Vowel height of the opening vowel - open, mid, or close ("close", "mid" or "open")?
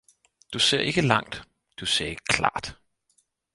close